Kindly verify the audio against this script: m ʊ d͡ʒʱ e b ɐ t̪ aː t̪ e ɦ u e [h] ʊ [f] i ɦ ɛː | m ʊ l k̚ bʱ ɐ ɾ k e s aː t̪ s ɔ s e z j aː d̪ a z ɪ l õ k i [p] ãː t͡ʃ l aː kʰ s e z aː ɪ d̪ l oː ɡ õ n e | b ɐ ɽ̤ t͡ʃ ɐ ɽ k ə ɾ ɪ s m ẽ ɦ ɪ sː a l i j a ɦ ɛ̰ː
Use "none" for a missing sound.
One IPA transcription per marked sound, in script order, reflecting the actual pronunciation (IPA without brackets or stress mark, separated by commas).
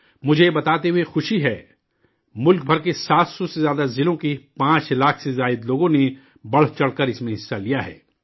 x, ʃ, p